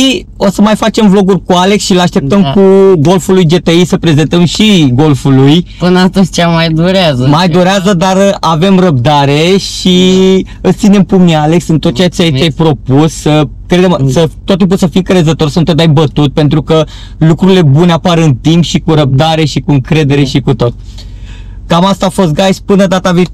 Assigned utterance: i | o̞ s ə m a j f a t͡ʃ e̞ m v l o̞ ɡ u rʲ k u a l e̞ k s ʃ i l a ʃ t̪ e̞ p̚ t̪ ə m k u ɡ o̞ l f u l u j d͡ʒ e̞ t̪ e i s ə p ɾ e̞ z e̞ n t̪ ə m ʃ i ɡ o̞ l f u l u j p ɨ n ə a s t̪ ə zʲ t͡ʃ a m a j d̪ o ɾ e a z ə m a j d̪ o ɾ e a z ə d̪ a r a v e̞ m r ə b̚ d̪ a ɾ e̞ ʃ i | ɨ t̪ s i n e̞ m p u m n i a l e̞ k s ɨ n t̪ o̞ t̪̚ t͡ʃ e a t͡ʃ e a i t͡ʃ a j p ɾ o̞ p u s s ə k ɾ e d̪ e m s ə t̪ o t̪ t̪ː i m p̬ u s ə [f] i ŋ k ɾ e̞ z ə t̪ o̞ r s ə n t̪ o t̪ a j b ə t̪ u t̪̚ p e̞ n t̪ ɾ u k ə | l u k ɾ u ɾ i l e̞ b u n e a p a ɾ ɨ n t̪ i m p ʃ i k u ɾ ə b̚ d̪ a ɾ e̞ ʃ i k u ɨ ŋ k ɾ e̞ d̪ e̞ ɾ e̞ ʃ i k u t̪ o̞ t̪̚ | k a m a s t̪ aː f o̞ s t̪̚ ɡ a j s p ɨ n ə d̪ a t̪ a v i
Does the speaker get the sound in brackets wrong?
no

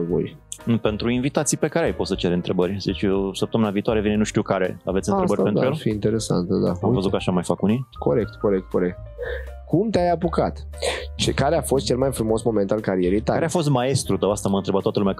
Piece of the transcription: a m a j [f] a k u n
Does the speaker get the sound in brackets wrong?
no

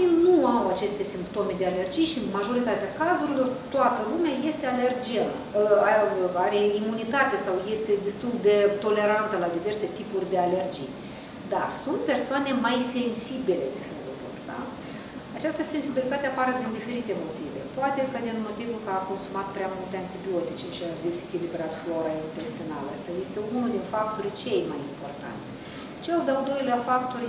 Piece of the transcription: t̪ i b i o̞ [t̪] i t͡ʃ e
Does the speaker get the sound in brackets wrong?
no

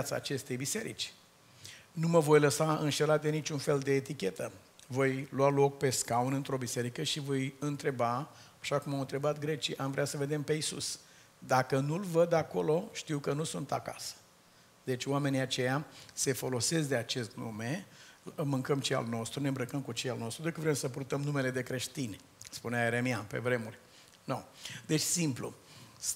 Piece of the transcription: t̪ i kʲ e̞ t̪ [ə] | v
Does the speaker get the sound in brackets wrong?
no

